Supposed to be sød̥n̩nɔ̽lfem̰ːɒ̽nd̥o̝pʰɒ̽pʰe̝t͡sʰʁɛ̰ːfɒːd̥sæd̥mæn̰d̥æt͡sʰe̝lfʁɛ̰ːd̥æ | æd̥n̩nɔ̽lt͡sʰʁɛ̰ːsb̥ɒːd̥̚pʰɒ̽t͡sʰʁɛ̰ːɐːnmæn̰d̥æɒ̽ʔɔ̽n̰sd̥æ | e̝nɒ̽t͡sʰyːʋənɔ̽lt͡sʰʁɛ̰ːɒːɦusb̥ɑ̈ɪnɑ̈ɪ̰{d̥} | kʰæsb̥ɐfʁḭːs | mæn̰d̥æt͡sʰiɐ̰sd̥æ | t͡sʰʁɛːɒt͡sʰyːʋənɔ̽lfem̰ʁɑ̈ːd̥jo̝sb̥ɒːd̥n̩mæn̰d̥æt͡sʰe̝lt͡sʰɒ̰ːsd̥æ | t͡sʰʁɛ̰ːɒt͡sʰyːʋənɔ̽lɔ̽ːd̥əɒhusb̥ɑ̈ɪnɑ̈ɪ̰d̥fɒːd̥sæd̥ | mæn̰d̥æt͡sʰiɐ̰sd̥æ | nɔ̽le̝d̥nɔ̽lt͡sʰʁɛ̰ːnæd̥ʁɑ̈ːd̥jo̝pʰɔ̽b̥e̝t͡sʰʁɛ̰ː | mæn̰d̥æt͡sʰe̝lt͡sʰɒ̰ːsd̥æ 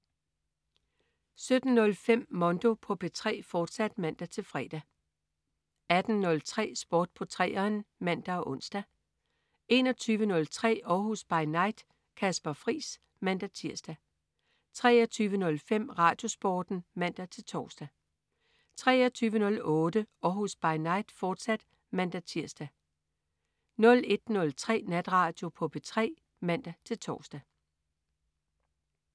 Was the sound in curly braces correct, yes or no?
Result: yes